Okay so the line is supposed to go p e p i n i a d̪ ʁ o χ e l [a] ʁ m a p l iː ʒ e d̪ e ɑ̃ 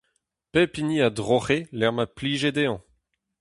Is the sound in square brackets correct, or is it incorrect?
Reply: incorrect